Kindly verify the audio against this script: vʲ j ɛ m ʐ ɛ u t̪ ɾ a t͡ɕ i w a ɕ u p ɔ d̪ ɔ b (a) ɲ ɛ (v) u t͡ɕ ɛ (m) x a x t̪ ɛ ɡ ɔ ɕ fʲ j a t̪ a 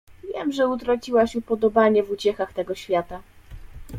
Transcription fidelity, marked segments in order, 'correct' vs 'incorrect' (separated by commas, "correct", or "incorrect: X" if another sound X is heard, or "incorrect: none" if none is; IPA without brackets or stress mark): correct, correct, incorrect: none